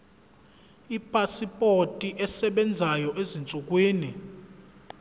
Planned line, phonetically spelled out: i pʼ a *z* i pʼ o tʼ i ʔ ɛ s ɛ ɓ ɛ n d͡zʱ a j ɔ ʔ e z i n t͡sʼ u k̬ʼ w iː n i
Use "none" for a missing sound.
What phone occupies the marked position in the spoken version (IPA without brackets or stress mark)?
s